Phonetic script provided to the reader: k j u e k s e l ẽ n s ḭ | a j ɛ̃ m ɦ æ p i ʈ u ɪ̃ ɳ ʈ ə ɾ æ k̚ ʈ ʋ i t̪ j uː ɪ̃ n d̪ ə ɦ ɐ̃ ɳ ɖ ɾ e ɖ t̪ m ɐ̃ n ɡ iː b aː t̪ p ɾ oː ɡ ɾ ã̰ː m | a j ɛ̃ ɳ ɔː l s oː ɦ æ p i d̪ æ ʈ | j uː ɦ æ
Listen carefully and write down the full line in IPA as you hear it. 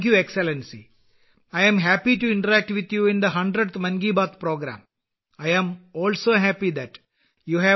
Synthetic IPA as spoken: k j u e k s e l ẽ n s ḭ | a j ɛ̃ m ɦ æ p i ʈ u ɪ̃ ɳ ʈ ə ɾ æ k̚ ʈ ʋ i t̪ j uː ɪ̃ n d̪ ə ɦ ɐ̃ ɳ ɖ ɾ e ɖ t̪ m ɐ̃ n ɡ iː b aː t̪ p ɾ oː ɡ ɾ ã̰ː m | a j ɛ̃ m ɔː l s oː ɦ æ p i d̪ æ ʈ | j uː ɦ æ